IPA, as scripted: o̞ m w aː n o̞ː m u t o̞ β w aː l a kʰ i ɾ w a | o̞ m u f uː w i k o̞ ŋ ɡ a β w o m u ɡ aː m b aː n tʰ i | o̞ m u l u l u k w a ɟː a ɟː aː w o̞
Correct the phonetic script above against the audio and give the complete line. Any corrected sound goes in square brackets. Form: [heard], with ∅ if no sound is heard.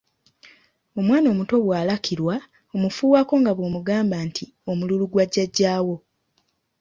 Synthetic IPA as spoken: o̞ m w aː n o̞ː m u t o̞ β w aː l a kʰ i ɾ w a | o̞ m u f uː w [a] k o̞ ŋ ɡ a β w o m u ɡ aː m b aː n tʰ i | o̞ m u l u l u [ɡ] w a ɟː a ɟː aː w o̞